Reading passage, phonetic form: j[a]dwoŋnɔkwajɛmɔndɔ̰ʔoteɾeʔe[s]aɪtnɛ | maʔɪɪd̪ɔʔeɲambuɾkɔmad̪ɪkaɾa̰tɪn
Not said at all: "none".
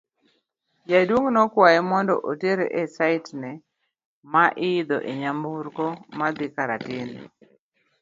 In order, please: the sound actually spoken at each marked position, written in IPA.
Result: a, s

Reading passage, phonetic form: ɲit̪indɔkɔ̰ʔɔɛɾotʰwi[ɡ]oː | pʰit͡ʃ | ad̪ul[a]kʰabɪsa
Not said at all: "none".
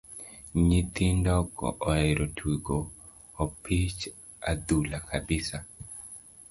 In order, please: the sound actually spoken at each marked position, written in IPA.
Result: ɡ, a

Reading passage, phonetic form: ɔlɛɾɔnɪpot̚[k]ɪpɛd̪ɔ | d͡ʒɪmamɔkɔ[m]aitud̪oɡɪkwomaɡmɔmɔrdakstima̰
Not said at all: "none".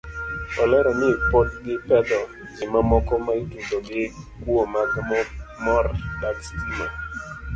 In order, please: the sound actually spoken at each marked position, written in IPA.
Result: ɡ, m

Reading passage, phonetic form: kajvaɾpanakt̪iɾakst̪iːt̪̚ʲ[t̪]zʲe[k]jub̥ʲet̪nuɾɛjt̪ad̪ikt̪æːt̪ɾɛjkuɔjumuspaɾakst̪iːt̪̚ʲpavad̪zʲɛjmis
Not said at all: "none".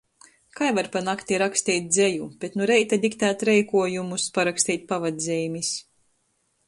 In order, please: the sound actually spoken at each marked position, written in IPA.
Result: d̪, none

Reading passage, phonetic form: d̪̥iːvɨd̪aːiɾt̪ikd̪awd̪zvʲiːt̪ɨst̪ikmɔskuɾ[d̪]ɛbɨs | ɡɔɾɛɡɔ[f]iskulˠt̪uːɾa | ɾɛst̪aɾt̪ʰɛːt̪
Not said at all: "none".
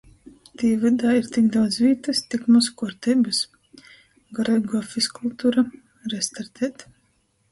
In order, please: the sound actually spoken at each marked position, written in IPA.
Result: t̪, f

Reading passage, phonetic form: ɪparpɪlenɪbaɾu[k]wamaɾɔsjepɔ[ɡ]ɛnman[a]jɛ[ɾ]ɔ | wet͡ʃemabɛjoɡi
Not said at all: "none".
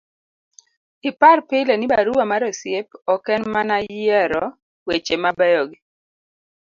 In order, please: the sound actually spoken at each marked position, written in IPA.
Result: none, k, a, ɾ

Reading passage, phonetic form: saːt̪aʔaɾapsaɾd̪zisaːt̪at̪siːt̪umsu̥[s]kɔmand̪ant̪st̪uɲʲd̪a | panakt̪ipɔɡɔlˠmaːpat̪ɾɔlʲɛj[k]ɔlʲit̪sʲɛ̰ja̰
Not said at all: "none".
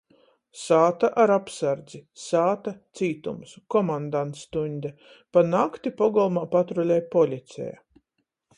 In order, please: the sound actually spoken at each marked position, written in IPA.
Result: none, p

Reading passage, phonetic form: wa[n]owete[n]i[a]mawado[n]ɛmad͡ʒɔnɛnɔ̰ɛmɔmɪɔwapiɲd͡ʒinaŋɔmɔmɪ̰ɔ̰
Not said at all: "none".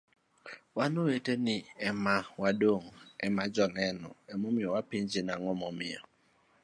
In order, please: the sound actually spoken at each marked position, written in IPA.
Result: n, n, ɛ, ŋ

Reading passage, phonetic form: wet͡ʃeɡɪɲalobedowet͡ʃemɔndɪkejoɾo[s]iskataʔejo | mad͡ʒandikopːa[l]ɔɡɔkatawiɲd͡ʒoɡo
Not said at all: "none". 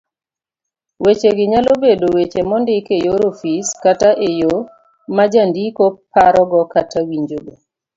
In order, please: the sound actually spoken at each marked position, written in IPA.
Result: f, ɾ

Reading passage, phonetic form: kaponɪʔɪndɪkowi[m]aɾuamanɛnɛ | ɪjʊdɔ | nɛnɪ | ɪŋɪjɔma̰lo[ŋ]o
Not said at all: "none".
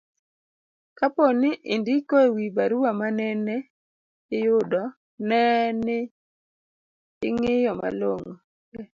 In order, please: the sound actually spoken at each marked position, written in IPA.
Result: b, ŋ

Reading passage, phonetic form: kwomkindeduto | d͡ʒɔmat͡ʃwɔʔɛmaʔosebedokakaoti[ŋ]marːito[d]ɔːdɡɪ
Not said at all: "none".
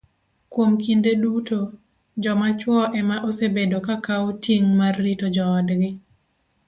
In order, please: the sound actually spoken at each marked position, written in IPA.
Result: ŋ, d͡ʒ

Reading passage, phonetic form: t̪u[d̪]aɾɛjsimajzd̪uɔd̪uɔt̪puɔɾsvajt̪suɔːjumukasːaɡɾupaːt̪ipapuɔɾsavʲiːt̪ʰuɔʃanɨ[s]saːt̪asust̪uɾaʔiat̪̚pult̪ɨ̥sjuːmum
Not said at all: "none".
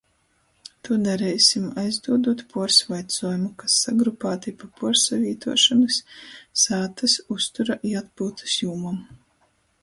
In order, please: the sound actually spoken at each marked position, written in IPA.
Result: d̪, s

